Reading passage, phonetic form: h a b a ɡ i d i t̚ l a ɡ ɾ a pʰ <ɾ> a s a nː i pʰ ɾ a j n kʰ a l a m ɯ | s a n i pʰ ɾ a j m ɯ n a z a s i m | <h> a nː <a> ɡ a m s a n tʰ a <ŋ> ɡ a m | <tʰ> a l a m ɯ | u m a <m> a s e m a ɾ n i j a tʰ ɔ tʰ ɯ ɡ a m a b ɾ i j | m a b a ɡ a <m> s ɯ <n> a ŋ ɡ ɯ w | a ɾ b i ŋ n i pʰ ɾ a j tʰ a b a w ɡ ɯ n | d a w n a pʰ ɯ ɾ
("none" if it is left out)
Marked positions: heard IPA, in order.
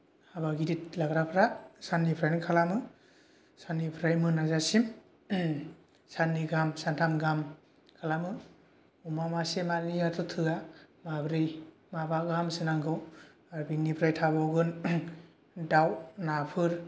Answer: ɾ, s, i, m, kʰ, m, m, n

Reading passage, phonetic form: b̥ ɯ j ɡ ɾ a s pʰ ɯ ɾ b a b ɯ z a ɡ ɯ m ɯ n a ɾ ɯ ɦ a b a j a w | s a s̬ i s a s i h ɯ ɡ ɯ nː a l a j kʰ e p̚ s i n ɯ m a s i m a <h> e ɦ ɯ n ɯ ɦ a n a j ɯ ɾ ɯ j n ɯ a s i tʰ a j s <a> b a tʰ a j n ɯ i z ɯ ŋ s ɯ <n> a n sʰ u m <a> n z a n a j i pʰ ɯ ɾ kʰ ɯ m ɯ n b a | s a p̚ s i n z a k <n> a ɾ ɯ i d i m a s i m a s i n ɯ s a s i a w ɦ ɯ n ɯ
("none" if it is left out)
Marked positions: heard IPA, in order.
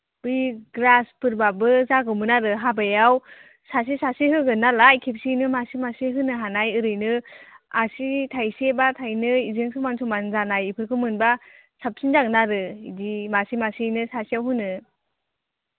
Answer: s, e, m, a, n

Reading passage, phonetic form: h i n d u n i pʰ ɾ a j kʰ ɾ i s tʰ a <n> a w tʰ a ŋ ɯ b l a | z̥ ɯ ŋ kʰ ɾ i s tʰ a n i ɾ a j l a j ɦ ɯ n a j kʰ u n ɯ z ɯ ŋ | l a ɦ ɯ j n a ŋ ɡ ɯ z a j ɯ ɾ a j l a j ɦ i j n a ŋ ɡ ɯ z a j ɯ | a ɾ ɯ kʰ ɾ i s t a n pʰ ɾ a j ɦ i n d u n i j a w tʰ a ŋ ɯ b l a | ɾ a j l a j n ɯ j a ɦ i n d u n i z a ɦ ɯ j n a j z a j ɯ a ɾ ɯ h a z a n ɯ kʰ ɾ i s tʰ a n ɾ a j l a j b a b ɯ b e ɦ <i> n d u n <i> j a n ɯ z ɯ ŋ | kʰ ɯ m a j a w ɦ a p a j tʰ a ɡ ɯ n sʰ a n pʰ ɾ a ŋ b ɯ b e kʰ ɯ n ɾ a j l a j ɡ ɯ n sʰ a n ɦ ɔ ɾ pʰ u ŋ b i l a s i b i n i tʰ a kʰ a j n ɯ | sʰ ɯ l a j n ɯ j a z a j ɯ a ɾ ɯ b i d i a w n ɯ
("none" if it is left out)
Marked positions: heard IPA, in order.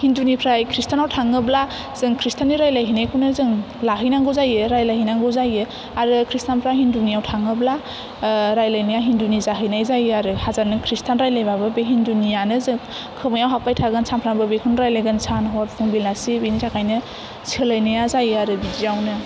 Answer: n, i, i

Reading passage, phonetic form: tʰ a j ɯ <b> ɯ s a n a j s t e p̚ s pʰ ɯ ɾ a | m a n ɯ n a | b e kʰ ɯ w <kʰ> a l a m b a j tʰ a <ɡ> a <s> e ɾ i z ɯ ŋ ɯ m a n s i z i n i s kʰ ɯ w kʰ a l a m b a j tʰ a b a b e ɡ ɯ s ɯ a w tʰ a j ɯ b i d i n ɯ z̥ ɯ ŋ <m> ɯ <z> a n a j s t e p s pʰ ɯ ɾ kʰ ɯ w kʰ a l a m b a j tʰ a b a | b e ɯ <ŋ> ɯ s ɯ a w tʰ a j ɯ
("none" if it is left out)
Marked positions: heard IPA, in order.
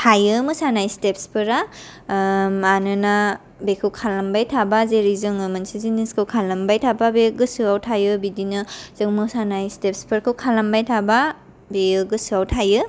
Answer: m, kʰ, b, z, m, s, ɡ

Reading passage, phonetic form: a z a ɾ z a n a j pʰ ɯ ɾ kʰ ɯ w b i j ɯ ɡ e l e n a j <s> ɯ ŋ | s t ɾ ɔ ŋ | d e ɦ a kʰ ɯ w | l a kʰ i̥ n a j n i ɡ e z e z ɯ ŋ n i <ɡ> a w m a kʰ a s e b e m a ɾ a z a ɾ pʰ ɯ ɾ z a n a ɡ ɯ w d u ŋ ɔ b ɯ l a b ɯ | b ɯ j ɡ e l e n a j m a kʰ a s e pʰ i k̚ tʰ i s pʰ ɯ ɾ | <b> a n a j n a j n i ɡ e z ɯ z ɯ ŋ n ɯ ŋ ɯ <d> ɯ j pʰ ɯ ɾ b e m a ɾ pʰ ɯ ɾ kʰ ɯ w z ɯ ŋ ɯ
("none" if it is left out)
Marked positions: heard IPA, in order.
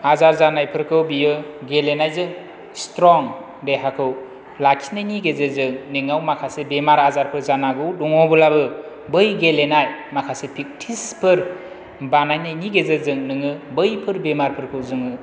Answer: z, ŋ, b, b

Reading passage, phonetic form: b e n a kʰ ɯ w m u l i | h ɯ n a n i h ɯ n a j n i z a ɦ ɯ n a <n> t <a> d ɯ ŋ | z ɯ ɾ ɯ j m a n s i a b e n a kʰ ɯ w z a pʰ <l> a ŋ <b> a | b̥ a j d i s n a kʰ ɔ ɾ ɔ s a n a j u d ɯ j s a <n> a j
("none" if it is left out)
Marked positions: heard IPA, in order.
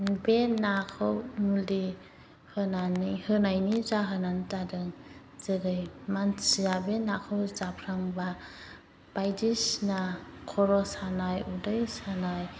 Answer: n, a, ɾ, b, n

